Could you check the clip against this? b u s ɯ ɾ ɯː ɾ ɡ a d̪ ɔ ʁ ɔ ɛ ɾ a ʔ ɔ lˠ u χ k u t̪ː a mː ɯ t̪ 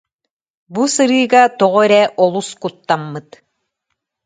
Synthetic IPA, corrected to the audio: b u s ɯ ɾ ɯː ɡ a t̪ ɔ ʁ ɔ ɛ ɾ ɛ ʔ ɔ lˠ u s k u t̪ː a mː ɯ t̪